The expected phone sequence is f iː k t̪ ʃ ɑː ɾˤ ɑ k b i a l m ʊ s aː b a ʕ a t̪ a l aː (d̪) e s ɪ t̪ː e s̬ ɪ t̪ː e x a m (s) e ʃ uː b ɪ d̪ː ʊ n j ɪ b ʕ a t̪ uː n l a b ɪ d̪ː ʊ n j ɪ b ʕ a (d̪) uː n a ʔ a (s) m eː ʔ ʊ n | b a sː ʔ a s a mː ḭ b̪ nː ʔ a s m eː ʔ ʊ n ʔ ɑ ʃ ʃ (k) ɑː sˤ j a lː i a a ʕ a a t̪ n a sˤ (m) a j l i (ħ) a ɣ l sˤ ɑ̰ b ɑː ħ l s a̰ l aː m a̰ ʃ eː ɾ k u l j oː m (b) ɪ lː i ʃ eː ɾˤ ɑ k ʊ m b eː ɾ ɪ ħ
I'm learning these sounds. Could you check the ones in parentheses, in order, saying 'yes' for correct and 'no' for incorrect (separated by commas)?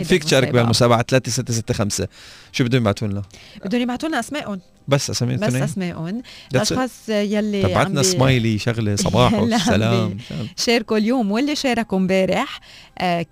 no, yes, no, yes, no, yes, no, no